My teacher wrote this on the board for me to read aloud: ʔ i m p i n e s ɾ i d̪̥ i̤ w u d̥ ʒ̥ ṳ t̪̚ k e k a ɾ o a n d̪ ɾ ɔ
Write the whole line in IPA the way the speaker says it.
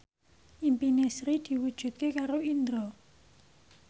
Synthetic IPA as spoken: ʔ i m p i n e s ɾ i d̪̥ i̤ w u d̥ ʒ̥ ṳ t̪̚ k e k a ɾ o i n d̪ ɾ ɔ